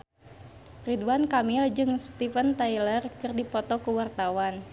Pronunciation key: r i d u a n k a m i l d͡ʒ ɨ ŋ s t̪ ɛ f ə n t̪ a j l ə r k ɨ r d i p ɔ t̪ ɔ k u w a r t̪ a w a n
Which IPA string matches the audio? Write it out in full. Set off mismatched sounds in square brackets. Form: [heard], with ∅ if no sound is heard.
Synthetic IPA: r i d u a n k a m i l d͡ʒ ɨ ŋ s t̪ [i] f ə n t̪ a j l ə r k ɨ r d i p ɔ t̪ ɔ k u w a r t̪ a w a n